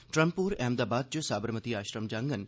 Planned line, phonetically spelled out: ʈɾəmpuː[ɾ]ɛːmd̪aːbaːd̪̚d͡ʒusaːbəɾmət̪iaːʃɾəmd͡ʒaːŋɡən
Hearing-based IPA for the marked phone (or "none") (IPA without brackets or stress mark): ɾ